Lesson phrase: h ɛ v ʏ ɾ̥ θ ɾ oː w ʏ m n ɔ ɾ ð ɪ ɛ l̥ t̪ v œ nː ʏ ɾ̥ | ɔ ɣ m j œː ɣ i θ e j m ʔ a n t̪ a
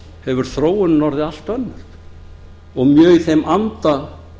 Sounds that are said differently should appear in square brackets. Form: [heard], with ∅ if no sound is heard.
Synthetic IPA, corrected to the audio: h ɛ v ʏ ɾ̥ θ ɾ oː w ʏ [n] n ɔ ɾ ð ɪ [a] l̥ t̪ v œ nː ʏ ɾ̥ | ɔ ɣ m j œː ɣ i θ e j m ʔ a n t̪ a